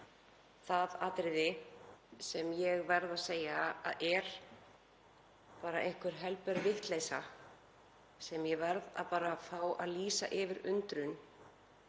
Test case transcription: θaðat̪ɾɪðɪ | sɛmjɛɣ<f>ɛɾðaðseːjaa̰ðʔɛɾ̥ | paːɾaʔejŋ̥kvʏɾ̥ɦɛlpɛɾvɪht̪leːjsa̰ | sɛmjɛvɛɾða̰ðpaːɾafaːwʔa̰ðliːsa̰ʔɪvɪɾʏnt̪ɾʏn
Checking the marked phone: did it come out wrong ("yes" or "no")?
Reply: yes